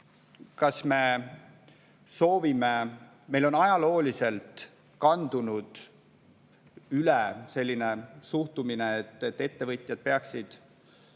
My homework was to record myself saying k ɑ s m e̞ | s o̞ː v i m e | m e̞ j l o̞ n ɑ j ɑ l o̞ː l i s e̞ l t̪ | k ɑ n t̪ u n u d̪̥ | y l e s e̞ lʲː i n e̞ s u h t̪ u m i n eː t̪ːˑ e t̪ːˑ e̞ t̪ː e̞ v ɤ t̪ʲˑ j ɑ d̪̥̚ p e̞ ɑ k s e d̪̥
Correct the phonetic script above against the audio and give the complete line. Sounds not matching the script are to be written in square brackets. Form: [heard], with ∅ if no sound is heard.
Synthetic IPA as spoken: k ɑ s m e̞ | s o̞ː v i m e | m e̞ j l o̞ n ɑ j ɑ l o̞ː l i s e̞ l t̪ | k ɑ n [d̪] u n u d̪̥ | y l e s e̞ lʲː i n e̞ s u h t̪ u m i n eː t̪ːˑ e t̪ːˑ e̞ t̪ː e̞ v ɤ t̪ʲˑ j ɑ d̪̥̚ p e̞ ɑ k s [i] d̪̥

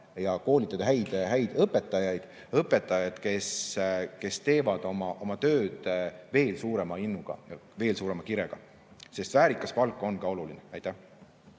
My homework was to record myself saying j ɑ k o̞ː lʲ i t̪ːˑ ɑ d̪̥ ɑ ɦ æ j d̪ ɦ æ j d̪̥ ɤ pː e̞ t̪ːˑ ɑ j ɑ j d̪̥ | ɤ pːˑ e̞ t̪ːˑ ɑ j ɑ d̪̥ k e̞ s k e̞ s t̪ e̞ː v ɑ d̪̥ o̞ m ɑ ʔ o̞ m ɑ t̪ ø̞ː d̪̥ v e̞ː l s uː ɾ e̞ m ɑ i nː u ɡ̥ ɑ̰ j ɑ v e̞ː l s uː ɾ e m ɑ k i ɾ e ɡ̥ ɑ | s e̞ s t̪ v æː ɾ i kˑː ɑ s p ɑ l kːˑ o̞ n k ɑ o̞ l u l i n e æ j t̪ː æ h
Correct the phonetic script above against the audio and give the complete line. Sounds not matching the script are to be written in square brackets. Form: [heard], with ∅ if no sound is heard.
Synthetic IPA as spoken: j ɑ k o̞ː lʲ i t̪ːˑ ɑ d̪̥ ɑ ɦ æ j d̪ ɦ æ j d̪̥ ɤ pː e̞ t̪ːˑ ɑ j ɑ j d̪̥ | ɤ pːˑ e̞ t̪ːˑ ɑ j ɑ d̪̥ k e̞ s k e̞ s t̪ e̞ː v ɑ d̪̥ o̞ m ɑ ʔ o̞ m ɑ t̪ ø̞ː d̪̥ v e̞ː l s uː ɾ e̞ m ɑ i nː u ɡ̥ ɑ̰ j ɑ v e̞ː l s uː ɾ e m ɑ k i ɾ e ɡ̥ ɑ | s e̞ s t̪ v æː ɾ i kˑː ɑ s p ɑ l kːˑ o̞ n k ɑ o̞ l u l i n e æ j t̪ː æ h

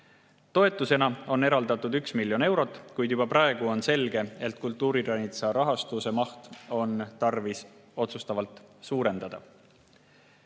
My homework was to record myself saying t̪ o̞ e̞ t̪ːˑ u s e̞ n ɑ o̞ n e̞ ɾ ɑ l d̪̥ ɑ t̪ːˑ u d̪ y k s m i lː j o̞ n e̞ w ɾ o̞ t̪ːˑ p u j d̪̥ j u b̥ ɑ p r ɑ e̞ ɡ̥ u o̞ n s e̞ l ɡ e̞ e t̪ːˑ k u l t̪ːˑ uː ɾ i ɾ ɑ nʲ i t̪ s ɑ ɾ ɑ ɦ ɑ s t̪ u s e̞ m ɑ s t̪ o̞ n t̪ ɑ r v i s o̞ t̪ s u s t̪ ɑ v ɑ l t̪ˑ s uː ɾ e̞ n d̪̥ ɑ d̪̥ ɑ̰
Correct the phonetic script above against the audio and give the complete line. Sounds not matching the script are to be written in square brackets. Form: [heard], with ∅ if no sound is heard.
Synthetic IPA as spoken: t̪ o̞ e̞ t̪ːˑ u s e̞ n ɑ o̞ n e̞ ɾ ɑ l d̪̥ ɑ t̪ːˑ u d̪ y k s m i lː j o̞ n e̞ w ɾ o̞ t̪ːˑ [k] u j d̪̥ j u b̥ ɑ p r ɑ e̞ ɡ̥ u o̞ n s e̞ l ɡ e̞ e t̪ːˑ k u l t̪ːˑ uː ɾ i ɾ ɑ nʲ i t̪ s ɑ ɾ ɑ ɦ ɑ s t̪ u s e̞ m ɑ [h] t̪ o̞ n t̪ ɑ r v i s o̞ t̪ s u s t̪ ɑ v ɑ l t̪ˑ s uː ɾ e̞ n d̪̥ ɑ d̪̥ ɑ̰

